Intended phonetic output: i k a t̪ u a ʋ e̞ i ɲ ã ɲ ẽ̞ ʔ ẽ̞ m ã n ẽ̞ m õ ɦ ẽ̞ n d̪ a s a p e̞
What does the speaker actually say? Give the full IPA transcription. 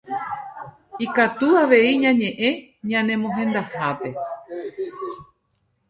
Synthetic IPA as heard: i k a t̪ u a ʋ e̞ i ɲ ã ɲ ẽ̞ ʔ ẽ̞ ɲ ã n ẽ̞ m õ ɦ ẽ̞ n d̪ a h a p e̞